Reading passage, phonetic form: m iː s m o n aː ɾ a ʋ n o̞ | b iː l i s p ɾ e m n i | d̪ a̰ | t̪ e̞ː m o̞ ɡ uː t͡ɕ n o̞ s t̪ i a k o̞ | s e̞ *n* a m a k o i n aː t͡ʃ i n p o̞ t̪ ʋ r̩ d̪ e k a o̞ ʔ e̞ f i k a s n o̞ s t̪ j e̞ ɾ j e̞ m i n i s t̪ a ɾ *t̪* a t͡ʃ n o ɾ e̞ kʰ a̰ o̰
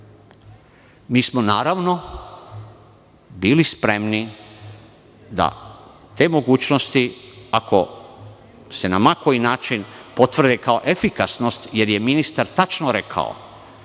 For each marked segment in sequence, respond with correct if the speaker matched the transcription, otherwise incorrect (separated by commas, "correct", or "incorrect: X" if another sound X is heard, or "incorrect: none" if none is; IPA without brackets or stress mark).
correct, correct